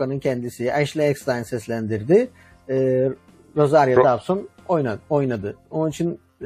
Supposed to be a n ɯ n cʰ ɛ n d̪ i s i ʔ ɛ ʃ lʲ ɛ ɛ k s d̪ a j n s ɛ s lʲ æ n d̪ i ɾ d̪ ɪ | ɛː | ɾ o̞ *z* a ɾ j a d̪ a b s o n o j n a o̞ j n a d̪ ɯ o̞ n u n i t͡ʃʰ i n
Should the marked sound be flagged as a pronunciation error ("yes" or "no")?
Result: no